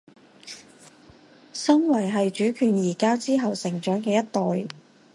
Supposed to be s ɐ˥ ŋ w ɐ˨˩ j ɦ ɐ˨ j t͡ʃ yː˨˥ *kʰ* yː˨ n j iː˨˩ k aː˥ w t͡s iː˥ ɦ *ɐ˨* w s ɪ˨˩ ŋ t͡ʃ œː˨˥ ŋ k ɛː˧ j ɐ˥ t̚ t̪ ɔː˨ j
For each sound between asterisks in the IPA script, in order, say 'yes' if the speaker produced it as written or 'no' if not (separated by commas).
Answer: yes, yes